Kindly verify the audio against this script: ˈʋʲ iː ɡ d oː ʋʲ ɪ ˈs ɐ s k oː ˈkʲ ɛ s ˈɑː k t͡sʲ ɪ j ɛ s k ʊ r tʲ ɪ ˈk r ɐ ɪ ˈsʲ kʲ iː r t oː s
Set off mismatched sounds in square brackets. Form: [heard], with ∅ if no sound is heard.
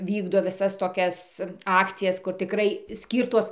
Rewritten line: ˈʋʲ iː ɡ d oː ʋʲ ɪ ˈs ɐ s [t] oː ˈkʲ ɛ s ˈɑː k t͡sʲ ɪ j ɛ s k ʊ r tʲ ɪ ˈk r ɐ ɪ ˈsʲ kʲ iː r t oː s